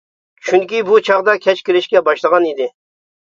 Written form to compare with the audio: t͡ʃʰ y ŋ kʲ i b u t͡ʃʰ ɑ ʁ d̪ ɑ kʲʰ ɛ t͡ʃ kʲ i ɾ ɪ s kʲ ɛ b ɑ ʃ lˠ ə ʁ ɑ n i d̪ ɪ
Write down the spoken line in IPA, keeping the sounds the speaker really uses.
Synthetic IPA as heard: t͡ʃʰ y ŋ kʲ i b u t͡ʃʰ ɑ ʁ d̪ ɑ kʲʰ ɛ t͡ʃ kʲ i ɾ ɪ ʃ kʲ ɛ b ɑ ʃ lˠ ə ʁ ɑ n i d̪ ɪ